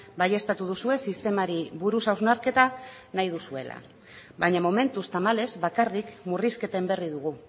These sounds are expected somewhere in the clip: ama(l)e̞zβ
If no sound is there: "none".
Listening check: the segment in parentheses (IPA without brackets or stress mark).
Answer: l